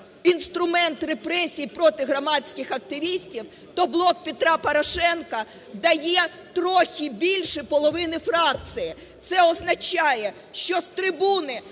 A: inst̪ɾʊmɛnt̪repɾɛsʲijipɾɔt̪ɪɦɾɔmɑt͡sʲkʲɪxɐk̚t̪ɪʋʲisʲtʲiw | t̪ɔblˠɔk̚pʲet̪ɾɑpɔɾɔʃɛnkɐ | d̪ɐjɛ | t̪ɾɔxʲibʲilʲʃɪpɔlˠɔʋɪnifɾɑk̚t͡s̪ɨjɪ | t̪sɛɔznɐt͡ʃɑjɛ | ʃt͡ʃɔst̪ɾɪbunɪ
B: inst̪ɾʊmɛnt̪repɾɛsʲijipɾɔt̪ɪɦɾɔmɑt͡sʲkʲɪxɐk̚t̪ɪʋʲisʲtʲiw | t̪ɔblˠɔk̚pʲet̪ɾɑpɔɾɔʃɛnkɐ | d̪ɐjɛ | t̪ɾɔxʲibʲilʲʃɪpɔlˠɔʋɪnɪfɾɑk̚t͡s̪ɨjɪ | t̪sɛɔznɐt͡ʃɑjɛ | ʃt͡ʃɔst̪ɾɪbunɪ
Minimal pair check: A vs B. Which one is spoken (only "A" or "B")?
B